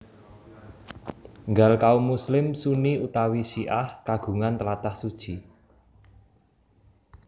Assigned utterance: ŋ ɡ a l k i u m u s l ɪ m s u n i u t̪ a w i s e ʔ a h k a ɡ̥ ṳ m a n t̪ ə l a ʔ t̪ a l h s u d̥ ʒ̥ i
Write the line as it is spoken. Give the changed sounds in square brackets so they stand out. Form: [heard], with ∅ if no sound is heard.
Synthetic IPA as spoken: ŋ ɡ a l k [a] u m u s l ɪ m s u n i u t̪ a w i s [i] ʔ a h k a ɡ̥ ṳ [ŋ] a n t̪ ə l a [∅] t̪ a [∅] h s u d̥ ʒ̥ i